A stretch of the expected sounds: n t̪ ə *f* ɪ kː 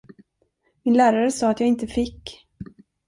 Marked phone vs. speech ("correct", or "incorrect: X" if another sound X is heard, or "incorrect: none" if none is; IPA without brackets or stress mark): correct